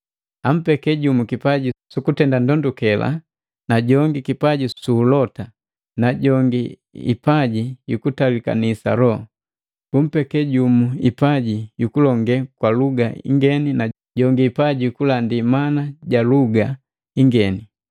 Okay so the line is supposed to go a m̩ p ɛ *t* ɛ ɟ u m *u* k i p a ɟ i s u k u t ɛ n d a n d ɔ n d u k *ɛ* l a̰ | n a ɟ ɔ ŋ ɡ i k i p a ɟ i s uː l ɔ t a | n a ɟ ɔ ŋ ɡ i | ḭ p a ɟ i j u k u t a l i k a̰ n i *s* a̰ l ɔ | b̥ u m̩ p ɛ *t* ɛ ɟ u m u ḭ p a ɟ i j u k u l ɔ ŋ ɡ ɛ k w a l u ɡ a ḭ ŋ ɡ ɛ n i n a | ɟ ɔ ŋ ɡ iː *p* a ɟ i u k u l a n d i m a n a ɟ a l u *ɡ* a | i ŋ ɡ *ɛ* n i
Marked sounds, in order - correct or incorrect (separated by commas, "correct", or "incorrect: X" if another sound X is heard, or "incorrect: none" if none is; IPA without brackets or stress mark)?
incorrect: k, correct, correct, correct, incorrect: k, correct, correct, correct